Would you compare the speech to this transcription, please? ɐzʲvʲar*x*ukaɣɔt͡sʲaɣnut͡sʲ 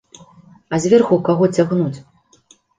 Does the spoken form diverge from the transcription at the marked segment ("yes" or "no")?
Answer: no